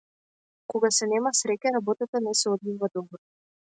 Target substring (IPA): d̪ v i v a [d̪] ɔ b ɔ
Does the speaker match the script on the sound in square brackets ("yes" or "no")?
yes